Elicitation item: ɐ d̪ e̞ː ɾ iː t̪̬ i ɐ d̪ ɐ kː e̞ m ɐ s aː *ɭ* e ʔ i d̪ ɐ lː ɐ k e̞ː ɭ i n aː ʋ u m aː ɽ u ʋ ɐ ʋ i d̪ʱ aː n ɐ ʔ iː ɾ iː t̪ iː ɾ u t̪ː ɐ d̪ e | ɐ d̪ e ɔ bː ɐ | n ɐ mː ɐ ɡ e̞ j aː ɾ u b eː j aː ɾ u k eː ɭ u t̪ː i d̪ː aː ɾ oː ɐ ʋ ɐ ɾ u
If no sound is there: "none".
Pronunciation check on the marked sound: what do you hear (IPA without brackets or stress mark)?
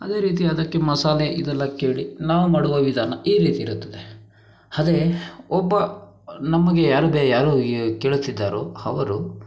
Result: l